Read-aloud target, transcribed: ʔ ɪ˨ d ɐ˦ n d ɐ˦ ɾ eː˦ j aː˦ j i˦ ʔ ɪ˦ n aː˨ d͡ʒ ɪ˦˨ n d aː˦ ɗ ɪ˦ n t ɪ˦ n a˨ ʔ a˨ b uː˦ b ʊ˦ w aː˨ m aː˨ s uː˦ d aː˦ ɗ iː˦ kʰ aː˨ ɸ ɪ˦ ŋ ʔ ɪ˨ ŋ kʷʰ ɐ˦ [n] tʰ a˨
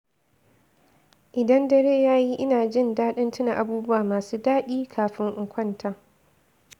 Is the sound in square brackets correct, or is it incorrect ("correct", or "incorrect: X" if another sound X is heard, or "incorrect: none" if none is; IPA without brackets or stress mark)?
correct